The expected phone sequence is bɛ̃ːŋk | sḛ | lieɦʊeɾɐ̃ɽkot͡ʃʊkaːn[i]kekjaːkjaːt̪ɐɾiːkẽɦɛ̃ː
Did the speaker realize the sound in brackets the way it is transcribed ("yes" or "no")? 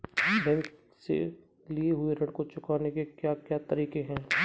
no